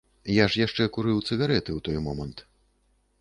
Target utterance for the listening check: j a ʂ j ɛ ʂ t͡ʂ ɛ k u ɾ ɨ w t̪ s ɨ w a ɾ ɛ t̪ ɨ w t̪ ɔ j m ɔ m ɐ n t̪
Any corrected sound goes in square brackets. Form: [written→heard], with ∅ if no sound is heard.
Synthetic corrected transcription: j a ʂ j [ɛ→a] ʂ t͡ʂ ɛ k u ɾ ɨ w t̪ s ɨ [w→ɣ] a ɾ ɛ t̪ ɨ w t̪ ɔ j m ɔ m ɐ n t̪